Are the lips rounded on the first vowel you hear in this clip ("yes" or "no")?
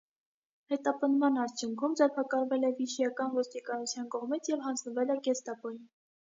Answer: no